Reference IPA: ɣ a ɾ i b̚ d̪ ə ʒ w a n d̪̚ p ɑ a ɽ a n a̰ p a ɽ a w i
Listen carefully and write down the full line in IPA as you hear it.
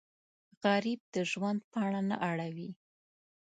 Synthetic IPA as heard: ɣ a ɾ i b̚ d̪ ə ʒ w a n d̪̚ p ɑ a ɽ a n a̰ ʔ a ɽ a w i